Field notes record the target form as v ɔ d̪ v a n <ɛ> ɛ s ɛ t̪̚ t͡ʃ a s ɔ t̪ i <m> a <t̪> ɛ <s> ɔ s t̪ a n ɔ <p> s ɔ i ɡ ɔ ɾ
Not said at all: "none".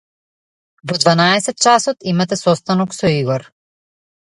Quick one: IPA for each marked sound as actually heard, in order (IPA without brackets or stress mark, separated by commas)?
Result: a, m, t̪, s, k